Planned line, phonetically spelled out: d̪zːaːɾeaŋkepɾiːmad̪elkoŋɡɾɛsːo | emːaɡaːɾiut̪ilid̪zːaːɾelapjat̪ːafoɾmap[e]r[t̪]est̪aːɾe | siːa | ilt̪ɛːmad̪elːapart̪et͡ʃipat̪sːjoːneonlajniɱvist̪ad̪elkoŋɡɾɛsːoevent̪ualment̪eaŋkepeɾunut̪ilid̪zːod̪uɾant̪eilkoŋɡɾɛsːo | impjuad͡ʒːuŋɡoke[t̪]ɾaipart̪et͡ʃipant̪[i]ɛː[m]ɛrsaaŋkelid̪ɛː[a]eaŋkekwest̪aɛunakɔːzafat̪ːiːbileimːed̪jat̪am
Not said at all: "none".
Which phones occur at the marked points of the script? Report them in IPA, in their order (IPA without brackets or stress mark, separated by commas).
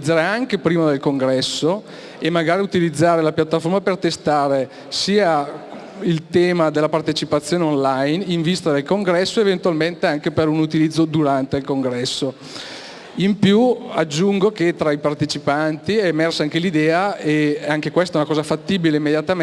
e, t̪, t̪, i, m, a